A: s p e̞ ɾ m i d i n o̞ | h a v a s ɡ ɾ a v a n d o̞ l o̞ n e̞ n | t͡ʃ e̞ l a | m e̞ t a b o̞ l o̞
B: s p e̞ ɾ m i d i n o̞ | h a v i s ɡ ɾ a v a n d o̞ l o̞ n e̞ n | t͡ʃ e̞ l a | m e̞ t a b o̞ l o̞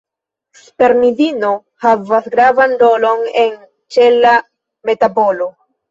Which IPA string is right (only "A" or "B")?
A